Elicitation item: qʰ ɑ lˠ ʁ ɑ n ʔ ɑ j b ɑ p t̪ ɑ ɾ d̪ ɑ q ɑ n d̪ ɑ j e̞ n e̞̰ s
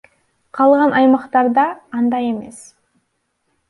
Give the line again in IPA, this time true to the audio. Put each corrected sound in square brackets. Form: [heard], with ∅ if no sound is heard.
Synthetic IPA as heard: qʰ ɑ lˠ ʁ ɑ n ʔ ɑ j [m] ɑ [q] t̪ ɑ ɾ d̪ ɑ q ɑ n d̪ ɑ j e̞ [m] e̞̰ s